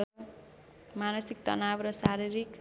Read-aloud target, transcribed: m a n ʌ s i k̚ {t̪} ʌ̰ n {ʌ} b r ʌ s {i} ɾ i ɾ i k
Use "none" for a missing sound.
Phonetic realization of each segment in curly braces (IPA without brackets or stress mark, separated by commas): t̪, a, a